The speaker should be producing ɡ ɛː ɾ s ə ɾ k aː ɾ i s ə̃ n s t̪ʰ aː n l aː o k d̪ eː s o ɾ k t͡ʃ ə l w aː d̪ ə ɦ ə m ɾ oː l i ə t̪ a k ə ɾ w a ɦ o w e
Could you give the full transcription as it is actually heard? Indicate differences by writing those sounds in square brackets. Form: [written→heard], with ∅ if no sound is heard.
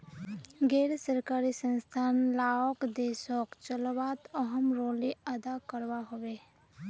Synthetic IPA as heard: ɡ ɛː ɾ s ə ɾ k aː ɾ i s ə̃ n s t̪ʰ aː n l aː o k d̪ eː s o [ɾ→∅] k t͡ʃ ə l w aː [d̪→t̪] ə ɦ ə m ɾ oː l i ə [t̪→d̪] a k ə ɾ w a ɦ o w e

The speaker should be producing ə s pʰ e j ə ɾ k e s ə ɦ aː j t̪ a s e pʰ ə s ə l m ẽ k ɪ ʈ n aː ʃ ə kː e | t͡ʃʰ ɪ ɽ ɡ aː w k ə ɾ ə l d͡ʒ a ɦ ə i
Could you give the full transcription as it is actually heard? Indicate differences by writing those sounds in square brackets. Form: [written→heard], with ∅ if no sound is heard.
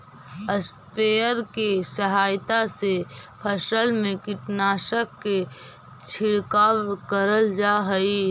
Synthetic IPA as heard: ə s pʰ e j ə ɾ k e s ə ɦ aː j t̪ a s e pʰ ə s ə l m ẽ k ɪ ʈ n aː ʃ ə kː e | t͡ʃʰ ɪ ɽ [ɡ→k] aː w k ə ɾ ə l d͡ʒ a ɦ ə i

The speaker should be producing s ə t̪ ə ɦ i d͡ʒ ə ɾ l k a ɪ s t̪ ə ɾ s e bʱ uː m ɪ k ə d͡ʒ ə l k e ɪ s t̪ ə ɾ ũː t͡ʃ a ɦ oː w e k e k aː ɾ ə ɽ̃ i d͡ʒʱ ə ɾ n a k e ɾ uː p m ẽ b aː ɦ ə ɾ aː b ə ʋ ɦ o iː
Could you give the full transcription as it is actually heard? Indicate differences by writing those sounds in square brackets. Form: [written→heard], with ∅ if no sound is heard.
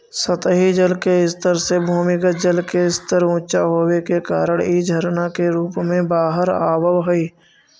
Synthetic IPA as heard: s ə t̪ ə ɦ i d͡ʒ ə [ɾ→∅] l k [a→e] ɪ s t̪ ə ɾ s e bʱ uː m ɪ k ə d͡ʒ ə l k e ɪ s t̪ ə ɾ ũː t͡ʃ a ɦ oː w e k e k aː ɾ ə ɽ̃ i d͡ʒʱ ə ɾ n a k e ɾ uː p m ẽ b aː ɦ ə ɾ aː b ə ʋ ɦ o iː

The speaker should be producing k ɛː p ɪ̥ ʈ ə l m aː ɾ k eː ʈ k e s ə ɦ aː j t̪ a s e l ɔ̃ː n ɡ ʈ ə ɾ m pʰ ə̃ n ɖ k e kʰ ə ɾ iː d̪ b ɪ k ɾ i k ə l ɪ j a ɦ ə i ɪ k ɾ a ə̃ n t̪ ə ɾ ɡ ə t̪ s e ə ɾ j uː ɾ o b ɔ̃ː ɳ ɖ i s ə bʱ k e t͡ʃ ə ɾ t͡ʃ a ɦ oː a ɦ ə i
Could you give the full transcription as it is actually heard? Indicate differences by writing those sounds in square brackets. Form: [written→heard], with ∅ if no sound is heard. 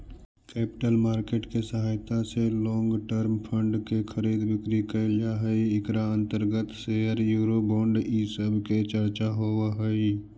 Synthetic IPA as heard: k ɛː p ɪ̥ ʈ ə l m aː ɾ k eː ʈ k e s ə ɦ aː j t̪ a s e l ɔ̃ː [n→ŋ] ɡ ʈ ə ɾ m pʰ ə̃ [n→ɳ] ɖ k e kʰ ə ɾ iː d̪ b ɪ k ɾ i k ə l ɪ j a ɦ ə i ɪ k ɾ a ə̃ n t̪ ə ɾ ɡ ə t̪ s e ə ɾ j uː ɾ o b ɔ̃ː ɳ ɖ i s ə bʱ k e t͡ʃ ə ɾ t͡ʃ a ɦ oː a ɦ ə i

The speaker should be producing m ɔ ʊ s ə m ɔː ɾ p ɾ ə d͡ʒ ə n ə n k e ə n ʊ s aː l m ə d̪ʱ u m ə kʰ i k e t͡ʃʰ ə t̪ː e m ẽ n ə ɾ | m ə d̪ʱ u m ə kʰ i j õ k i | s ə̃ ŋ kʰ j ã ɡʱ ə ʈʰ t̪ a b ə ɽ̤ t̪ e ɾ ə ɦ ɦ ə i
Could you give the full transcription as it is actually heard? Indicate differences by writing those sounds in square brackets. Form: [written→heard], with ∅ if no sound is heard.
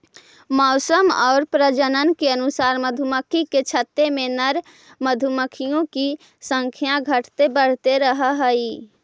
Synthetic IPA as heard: m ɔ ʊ s ə m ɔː ɾ p ɾ ə d͡ʒ ə n ə n k e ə n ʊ s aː [l→ɾ] m ə d̪ʱ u m ə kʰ i k e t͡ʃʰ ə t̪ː e m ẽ n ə ɾ | m ə d̪ʱ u m ə kʰ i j õ k i | s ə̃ ŋ kʰ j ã ɡʱ ə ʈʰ t̪ [a→e] b ə ɽ̤ t̪ e ɾ ə ɦ ɦ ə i

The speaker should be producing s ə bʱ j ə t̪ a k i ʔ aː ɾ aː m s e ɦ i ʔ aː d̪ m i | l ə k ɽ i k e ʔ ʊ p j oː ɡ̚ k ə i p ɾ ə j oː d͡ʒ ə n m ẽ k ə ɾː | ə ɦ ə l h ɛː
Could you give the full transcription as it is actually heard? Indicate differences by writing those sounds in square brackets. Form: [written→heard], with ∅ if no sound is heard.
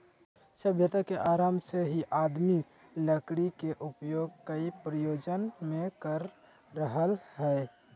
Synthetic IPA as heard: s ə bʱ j ə t̪ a k [i→e] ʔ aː ɾ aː m s e ɦ i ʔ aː d̪ m i | l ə k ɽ i k e ʔ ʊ p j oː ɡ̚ k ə i p ɾ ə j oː d͡ʒ ə n m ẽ k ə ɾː | ə ɦ ə l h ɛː

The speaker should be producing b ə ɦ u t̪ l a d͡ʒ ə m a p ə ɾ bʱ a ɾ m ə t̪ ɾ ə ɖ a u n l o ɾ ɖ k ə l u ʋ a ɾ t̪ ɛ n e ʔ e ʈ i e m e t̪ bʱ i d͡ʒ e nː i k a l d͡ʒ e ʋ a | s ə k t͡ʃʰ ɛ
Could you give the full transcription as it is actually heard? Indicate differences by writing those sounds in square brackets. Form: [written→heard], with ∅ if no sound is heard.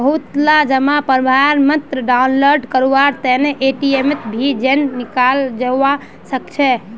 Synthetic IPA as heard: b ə ɦ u t̪ l a d͡ʒ ə m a p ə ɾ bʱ a ɾ m ə t̪ ɾ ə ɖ a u n l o ɾ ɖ k ə [l→ɾ] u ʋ a ɾ t̪ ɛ n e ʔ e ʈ i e m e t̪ bʱ i d͡ʒ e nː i k a l d͡ʒ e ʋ a | s ə k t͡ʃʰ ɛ

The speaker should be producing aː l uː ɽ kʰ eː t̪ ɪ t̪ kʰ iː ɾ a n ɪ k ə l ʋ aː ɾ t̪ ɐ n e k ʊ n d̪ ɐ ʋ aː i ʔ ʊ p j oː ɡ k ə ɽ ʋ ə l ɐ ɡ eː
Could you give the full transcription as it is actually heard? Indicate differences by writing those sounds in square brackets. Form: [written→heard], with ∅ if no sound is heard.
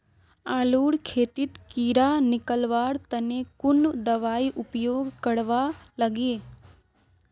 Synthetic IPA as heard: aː l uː ɽ kʰ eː t̪ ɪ t̪ [kʰ→k] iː ɾ a n ɪ k ə l ʋ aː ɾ t̪ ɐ n e k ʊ n d̪ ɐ ʋ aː i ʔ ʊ p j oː ɡ k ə ɽ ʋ [ə→a] l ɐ ɡ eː

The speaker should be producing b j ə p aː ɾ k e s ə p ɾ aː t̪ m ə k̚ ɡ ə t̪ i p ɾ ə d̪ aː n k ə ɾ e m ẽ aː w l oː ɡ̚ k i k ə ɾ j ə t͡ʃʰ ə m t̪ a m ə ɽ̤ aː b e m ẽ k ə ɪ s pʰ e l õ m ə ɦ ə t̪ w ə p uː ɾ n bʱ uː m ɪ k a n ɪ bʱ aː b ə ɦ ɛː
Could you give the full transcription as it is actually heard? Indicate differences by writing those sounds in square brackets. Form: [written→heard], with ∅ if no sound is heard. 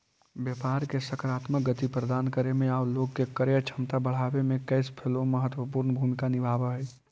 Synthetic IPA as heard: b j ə p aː ɾ k e s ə [p→k] ɾ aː t̪ m ə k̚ ɡ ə t̪ i p ɾ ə d̪ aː n k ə ɾ e m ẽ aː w l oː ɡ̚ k [i→e] k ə ɾ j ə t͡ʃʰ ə m t̪ a [m→b] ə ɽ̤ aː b e m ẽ k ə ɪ s pʰ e l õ m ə ɦ ə t̪ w ə p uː ɾ n bʱ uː m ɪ k a n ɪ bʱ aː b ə ɦ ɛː

